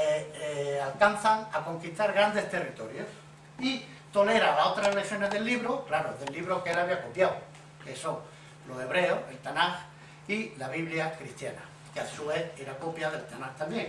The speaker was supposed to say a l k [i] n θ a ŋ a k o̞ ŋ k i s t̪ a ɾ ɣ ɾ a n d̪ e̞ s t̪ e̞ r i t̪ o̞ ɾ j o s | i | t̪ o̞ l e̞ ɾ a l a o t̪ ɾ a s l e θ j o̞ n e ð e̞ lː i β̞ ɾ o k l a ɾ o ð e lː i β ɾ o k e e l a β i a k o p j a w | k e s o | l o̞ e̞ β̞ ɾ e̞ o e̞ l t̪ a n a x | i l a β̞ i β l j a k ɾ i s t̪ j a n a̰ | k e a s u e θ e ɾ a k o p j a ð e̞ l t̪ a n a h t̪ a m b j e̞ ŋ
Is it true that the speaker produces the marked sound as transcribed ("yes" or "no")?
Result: no